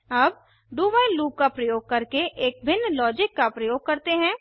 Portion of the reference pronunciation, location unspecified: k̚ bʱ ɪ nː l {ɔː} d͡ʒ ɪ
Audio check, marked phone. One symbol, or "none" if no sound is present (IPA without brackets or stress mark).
ɔː